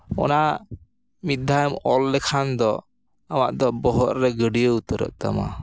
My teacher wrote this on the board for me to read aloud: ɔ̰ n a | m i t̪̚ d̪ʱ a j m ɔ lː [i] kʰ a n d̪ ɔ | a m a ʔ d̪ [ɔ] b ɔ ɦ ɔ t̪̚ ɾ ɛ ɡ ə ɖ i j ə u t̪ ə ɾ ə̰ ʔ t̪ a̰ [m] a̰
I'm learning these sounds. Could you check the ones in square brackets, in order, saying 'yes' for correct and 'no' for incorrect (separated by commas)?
no, yes, yes